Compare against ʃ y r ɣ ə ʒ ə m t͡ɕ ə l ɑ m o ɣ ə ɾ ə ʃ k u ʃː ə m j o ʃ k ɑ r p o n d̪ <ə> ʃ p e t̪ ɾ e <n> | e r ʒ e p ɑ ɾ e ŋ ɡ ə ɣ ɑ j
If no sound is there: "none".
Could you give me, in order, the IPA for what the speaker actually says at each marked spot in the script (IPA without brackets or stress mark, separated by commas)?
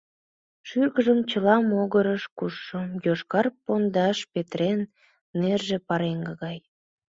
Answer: ɑ, nː